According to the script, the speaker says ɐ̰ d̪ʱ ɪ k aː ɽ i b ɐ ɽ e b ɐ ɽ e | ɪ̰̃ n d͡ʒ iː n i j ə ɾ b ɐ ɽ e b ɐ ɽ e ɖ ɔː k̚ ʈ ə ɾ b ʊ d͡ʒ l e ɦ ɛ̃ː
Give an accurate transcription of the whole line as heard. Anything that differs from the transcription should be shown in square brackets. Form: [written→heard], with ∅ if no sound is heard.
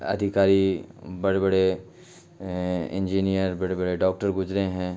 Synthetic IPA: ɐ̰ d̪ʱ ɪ k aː [ɽ→ɾ] i b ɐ ɽ e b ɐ ɽ e | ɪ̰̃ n d͡ʒ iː n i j ə ɾ b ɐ ɽ e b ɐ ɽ e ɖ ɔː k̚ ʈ ə ɾ [b→ɡ] ʊ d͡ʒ [l→ɾ] e ɦ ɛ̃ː